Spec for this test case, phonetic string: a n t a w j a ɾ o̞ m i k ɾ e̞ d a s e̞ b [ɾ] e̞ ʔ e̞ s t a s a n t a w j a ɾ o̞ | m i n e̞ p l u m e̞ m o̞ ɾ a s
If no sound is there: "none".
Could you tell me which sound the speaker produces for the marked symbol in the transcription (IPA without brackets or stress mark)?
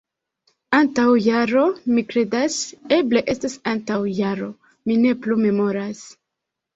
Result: l